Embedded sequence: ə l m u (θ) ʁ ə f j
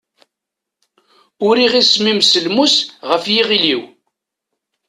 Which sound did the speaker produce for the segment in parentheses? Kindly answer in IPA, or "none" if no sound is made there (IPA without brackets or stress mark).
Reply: s